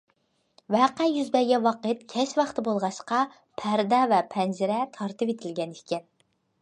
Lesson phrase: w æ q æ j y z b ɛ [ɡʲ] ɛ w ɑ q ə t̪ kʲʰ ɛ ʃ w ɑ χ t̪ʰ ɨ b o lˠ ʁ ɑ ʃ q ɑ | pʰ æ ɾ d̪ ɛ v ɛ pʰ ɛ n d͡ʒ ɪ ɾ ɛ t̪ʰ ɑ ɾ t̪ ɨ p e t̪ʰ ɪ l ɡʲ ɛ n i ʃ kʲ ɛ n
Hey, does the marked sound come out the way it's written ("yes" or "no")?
yes